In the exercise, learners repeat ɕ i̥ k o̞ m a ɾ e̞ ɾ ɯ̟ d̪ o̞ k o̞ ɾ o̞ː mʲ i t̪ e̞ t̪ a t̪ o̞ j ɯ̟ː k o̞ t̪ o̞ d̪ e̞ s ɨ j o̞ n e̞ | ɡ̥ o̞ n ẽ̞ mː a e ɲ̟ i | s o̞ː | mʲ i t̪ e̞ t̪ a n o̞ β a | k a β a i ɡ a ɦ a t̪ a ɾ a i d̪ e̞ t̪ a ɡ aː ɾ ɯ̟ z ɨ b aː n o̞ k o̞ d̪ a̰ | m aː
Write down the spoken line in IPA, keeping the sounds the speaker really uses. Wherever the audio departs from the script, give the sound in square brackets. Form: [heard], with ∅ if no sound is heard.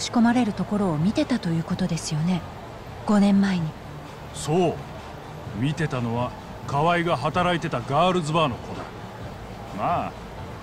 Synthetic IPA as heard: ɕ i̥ k o̞ m a ɾ e̞ ɾ ɯ̟ [t̪] o̞ k o̞ ɾ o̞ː mʲ i t̪ e̞ t̪ a t̪ o̞ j ɯ̟ː k o̞ t̪ o̞ d̪ e̞ s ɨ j o̞ n e̞ | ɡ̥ o̞ n ẽ̞ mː a e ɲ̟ i | s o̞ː | mʲ i t̪ e̞ t̪ a n o̞ β a | k a β a i ɡ a ɦ a t̪ a ɾ a i [t̪] e̞ t̪ a ɡ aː ɾ ɯ̟ z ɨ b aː n o̞ k o̞ d̪ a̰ | m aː